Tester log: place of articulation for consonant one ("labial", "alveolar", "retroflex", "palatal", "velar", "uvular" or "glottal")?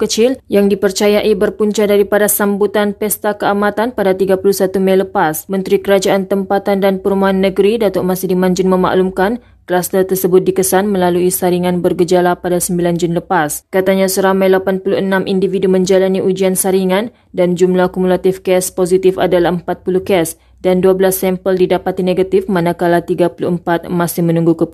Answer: velar